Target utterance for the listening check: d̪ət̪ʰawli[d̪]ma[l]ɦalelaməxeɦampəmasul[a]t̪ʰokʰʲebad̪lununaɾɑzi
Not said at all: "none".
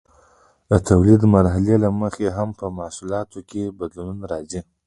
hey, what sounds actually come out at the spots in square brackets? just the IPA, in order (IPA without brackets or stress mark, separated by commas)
d̪, ɾ, ɑ